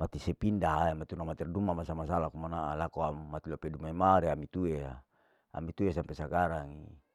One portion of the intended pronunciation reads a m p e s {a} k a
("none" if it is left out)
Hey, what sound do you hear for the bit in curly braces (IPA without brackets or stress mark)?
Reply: a